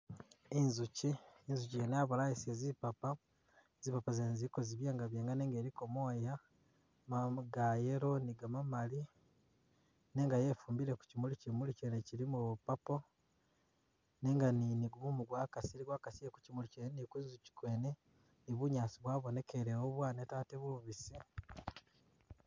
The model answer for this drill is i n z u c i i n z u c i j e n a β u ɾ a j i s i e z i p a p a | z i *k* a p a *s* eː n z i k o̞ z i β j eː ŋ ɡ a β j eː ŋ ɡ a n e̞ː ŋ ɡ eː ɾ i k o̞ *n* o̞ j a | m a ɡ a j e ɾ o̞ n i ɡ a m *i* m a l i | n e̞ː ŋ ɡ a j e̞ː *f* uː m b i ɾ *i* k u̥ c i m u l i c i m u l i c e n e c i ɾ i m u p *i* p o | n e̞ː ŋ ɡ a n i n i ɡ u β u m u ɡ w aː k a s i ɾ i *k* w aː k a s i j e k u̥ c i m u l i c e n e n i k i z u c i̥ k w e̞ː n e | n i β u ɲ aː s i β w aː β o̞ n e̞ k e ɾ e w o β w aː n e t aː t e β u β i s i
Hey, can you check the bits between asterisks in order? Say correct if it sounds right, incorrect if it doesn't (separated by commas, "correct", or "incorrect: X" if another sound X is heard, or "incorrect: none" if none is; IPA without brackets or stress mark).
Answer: incorrect: p, incorrect: z, incorrect: m, incorrect: a, correct, incorrect: e, incorrect: a, incorrect: ɡ